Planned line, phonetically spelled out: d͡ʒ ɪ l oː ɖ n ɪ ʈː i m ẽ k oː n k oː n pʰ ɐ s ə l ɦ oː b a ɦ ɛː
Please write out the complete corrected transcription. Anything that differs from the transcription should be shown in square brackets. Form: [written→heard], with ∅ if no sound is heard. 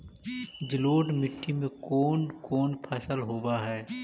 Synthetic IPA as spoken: d͡ʒ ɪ l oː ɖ [n→m] ɪ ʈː i m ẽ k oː n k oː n pʰ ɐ s ə l ɦ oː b a ɦ ɛː